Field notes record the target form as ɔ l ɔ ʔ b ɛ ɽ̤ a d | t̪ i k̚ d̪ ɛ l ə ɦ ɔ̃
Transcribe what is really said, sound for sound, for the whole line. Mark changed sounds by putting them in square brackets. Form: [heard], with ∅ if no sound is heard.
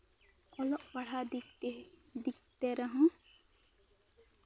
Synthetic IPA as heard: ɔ l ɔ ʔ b [a] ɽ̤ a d | [d̪] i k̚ [t̪] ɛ [ɾ] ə ɦ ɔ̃